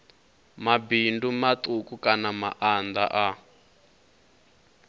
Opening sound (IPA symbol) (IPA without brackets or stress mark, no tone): m